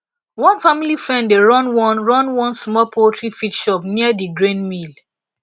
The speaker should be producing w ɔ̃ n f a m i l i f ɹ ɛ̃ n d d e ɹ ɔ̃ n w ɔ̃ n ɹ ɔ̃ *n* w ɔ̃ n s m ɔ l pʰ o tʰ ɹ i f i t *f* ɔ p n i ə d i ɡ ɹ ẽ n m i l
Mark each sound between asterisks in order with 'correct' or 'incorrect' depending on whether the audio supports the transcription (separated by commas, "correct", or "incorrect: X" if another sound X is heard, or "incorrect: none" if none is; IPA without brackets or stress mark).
correct, incorrect: ʃ